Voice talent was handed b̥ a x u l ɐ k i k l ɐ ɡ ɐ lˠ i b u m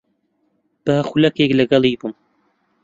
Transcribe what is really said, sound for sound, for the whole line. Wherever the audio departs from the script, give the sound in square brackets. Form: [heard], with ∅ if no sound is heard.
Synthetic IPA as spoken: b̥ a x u l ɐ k [e] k l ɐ ɡ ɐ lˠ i b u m